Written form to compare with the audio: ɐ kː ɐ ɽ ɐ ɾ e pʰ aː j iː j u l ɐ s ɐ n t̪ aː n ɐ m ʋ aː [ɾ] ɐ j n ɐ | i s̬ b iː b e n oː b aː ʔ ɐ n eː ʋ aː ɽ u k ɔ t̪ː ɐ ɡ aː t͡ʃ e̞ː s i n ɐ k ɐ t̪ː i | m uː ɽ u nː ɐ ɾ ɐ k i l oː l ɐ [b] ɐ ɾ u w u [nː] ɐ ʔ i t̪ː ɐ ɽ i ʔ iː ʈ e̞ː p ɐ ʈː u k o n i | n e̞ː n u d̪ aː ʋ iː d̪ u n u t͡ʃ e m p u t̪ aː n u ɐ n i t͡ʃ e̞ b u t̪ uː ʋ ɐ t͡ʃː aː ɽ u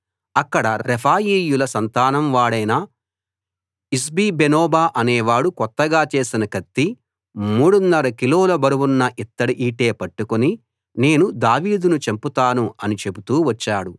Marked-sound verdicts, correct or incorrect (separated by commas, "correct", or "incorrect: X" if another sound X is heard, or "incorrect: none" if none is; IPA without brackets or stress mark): incorrect: ɽ, correct, correct